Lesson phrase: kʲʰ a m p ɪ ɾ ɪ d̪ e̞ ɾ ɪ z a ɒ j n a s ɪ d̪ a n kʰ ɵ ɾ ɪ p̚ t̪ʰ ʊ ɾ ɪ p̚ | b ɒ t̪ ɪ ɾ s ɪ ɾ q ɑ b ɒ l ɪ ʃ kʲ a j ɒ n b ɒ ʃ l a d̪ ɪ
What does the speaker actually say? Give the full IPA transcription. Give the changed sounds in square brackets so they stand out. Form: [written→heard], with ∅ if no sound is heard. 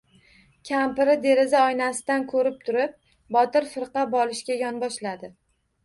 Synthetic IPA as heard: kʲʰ a m p ɪ ɾ ɪ d̪ e̞ ɾ ɪ z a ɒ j n a s ɪ d̪ a n kʰ ɵ ɾ ɪ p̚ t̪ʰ ʊ ɾ ɪ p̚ | b ɒ t̪ ɪ ɾ [s→f] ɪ ɾ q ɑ b ɒ l ɪ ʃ kʲ a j ɒ n b ɒ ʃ l a d̪ ɪ